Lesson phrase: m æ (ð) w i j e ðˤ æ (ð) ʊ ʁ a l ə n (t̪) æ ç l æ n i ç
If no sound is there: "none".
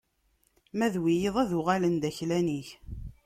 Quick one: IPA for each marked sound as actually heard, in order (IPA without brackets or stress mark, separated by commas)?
ð, ð, d̪